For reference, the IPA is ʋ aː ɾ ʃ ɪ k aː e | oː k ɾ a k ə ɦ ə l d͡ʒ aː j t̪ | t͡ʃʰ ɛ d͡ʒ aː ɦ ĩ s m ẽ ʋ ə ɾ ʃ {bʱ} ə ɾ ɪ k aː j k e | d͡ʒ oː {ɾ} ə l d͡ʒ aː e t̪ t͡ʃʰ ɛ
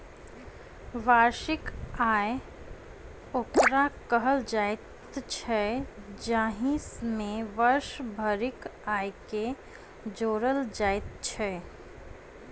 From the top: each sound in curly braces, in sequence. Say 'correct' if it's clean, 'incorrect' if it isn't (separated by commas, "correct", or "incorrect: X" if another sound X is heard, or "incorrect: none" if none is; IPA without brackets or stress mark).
correct, correct